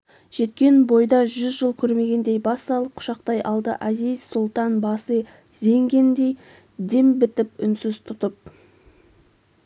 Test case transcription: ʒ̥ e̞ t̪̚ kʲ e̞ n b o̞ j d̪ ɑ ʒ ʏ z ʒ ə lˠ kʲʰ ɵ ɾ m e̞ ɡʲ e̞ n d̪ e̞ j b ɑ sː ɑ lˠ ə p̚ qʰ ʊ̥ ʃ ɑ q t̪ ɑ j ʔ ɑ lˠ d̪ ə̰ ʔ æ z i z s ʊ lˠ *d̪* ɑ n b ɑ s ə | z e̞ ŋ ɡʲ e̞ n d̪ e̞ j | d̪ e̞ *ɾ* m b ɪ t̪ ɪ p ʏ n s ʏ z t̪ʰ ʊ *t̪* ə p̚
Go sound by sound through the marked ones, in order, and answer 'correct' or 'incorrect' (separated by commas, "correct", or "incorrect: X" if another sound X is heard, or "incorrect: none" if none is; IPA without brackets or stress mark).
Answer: incorrect: t̪, incorrect: none, correct